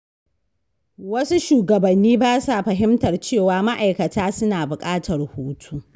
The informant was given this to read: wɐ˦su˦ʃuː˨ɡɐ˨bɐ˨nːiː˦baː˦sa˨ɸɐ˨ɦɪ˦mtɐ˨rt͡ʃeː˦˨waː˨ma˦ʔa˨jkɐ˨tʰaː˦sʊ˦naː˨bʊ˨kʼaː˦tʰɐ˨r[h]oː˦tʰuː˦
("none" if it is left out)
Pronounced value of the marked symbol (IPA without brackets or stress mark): h